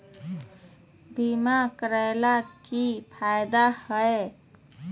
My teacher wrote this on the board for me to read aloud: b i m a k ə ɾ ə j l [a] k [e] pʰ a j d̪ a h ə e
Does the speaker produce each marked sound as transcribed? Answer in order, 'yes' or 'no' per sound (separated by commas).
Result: yes, no